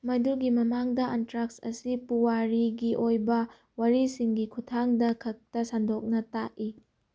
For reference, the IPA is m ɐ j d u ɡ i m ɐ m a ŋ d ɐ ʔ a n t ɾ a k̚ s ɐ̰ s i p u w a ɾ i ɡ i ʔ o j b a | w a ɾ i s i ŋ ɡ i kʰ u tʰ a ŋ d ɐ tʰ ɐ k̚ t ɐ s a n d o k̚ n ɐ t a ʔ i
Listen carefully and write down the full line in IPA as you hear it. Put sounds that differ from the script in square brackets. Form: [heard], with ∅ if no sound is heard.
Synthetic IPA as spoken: m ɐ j d u ɡ i m ɐ m a ŋ d ɐ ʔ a n t ɾ a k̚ s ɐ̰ s i p u w a ɾ i ɡ i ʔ o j b [ɐ] | w a ɾ i s i ŋ ɡ i kʰ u tʰ a ŋ d ɐ [kʰ] ɐ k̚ t ɐ s a n d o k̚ n ɐ t a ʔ i

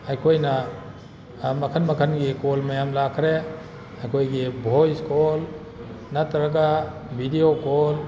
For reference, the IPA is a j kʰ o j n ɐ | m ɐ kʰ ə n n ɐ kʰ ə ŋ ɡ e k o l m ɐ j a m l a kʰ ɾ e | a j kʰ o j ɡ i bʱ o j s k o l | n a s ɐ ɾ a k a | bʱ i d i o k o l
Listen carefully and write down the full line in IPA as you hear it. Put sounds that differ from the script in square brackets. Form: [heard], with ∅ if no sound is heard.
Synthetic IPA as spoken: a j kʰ o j n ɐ | m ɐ kʰ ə n [m] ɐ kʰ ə [n] ɡ [i] k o l m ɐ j a m l a kʰ ɾ e | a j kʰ o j ɡ i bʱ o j s k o l | n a [t] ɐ ɾ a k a | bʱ i d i o k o l

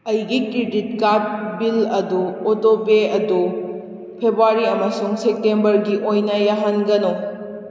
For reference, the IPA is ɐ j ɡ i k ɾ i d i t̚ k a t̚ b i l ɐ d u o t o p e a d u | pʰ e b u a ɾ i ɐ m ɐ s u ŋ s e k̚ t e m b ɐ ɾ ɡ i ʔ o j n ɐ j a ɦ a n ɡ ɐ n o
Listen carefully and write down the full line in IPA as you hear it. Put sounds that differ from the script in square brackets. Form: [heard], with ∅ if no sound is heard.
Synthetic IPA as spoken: ɐ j ɡ i k ɾ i d i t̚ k a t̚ b i l ɐ d u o t o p e [ɐ] d u | pʰ e b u a ɾ i ɐ m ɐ s u ŋ s e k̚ t e m b ɐ ɾ ɡ i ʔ o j n ɐ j a ɦ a n ɡ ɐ n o

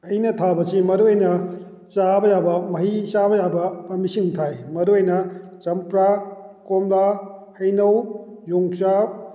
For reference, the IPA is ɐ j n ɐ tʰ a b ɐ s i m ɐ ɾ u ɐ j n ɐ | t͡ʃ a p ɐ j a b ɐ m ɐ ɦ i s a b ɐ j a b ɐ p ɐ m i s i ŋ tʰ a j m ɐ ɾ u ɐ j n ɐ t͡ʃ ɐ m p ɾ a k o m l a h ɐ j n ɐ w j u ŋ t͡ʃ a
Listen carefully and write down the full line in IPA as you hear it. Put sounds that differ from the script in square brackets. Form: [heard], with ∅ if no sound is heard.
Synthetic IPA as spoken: ɐ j n ɐ tʰ a b ɐ s i m ɐ ɾ u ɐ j n ɐ | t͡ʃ a [b] ɐ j a b ɐ m ɐ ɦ i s a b ɐ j a b ɐ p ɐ m i s i ŋ tʰ a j m ɐ ɾ u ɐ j n ɐ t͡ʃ ɐ m p ɾ a k o m l a h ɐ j n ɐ w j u ŋ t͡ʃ a

